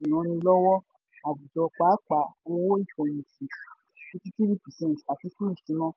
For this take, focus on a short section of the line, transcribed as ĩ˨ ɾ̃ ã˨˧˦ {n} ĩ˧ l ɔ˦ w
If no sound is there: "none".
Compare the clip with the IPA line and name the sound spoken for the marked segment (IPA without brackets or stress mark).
n